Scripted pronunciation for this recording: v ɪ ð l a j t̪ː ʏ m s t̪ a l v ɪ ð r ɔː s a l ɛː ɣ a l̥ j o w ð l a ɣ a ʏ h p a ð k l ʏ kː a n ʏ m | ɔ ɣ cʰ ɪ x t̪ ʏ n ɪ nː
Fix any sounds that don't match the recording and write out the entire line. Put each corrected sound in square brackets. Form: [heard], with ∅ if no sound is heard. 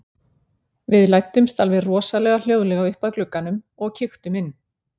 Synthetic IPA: v ɪ ð l a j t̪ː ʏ m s t̪ a l v ɪ ð r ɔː s a l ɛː ɣ a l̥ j o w ð l [ɛ] ɣ a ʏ h p a ð k l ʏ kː a n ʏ m | ɔ ɣ cʰ ɪ x t̪ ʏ [m] ɪ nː